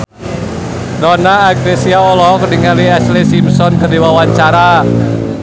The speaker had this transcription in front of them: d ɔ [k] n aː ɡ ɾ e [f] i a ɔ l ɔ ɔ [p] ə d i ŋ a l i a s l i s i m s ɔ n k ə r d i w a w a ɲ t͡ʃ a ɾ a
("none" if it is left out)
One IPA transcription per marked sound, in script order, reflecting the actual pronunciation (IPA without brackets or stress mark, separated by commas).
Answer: none, s, k